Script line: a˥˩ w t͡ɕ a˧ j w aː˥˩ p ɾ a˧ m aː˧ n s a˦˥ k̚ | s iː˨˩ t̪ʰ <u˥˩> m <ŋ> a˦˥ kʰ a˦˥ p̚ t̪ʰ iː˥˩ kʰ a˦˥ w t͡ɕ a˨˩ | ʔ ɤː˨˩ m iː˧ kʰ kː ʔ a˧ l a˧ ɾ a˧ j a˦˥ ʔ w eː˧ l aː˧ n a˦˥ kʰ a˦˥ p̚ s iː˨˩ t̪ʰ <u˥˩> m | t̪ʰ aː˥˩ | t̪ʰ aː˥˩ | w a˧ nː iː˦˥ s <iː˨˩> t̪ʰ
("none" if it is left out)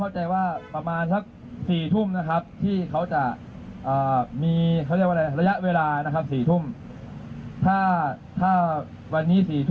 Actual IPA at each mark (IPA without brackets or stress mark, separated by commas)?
u˥˩, n, u˥˩, iː˨˩